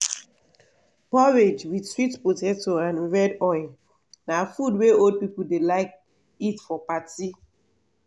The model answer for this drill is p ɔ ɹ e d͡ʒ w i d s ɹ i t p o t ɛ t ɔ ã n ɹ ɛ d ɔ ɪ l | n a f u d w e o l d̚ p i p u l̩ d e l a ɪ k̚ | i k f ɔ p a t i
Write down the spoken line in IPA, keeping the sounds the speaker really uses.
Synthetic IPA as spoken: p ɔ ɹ e d͡ʒ w i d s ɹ i t p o t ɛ t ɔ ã n ɹ ɛ d ɔ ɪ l | n a f u d w e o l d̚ p i p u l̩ d e l a ɪ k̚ | i t f ɔ p a t i